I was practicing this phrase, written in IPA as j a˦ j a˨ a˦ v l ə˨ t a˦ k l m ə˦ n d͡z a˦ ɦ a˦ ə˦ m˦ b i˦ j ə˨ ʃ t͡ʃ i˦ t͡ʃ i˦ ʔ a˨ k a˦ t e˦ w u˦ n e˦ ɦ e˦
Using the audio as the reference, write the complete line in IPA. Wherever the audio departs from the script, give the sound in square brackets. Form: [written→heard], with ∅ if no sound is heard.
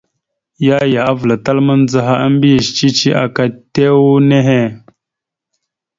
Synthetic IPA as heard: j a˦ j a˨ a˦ v l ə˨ t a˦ [k→∅] l m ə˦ n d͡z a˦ ɦ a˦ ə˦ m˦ b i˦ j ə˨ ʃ t͡ʃ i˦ t͡ʃ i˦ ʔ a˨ k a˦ t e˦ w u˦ n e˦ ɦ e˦